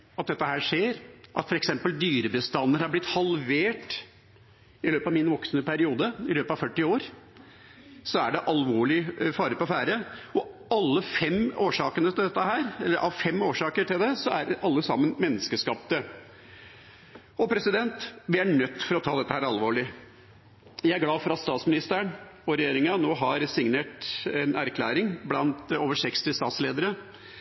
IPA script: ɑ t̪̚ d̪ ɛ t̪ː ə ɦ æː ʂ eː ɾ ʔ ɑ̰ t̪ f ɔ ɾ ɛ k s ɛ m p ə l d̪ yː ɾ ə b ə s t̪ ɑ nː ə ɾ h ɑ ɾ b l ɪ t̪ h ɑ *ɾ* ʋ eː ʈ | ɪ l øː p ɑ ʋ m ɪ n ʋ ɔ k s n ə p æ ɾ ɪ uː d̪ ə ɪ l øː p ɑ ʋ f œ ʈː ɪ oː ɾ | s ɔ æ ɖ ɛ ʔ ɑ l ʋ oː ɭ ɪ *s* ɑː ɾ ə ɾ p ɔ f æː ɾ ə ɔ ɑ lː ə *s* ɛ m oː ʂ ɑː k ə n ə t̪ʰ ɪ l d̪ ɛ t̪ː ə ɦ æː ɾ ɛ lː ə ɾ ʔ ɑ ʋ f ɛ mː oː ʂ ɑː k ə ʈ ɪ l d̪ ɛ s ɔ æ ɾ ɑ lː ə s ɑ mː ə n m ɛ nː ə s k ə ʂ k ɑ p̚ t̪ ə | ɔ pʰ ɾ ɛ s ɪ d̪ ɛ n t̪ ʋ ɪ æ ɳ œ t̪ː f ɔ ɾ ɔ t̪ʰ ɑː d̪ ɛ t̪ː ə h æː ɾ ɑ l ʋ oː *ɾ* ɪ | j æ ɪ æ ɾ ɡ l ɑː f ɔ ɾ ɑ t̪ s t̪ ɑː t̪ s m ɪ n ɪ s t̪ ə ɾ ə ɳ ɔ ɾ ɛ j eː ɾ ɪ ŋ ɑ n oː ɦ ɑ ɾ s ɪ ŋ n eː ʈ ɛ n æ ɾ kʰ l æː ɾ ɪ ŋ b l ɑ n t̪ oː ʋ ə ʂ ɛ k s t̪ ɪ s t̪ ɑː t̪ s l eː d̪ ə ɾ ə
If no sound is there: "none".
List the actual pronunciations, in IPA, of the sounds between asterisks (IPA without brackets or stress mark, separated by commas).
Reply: l, f, f, ɭ